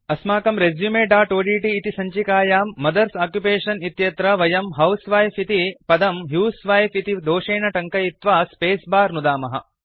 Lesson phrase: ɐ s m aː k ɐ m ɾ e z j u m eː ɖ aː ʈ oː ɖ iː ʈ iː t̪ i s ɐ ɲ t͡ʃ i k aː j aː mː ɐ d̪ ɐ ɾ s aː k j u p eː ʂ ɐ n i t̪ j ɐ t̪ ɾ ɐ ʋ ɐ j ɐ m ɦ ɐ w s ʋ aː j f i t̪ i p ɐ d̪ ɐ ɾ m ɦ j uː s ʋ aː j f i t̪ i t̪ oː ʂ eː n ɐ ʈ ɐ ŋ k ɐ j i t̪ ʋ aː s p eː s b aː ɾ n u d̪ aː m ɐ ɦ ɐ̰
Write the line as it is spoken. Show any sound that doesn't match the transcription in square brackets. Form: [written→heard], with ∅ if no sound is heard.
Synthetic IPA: ɐ s m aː k ɐ m ɾ e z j u m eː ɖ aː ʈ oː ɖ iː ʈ iː t̪ i s ɐ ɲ t͡ʃ i k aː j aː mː ɐ d̪ ɐ ɾ s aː k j u p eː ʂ ɐ n i t̪ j ɐ t̪ ɾ ɐ ʋ ɐ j ɐ m ɦ ɐ w s ʋ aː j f i t̪ i p ɐ d̪ ɐ [ɾ→∅] m ɦ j uː s ʋ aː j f i t̪ i [t̪→d̪] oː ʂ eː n ɐ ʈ ɐ ŋ k ɐ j i t̪ ʋ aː s p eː s b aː ɾ n u d̪ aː m ɐ ɦ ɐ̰